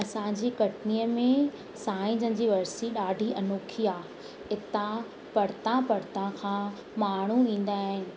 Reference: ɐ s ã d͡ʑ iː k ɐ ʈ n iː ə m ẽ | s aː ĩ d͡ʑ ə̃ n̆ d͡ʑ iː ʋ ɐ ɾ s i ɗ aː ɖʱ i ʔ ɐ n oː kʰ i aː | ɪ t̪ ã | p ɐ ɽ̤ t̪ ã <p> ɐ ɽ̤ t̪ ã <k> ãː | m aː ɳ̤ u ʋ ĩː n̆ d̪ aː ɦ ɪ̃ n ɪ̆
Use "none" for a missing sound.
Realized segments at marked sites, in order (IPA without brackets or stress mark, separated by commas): p, kʰ